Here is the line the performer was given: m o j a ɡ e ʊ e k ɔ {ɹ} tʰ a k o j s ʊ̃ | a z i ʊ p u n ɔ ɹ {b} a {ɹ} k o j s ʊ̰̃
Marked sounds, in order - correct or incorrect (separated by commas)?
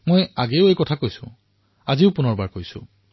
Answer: incorrect, correct, correct